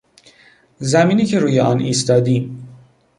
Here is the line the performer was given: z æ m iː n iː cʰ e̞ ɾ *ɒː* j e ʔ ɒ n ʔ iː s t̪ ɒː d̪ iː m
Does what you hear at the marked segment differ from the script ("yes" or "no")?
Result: yes